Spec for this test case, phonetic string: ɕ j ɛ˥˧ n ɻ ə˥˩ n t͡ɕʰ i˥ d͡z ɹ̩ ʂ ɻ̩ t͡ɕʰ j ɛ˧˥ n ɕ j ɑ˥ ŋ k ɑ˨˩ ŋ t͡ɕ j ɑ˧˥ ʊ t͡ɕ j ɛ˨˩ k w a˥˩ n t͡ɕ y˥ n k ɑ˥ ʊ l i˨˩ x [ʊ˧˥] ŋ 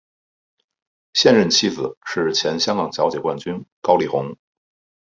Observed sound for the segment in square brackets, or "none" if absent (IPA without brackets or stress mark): ʊ˧˥